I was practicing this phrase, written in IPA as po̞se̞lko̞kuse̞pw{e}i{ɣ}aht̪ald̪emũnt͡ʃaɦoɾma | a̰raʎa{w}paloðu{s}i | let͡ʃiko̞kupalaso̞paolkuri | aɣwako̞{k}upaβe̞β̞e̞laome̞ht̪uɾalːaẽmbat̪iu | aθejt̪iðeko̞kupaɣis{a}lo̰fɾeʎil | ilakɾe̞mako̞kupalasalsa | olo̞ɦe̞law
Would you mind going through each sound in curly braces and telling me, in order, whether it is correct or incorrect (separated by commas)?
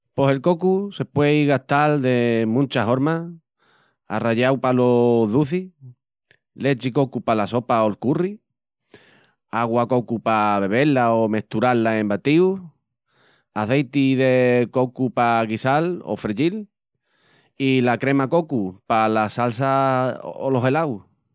correct, correct, correct, incorrect, correct, correct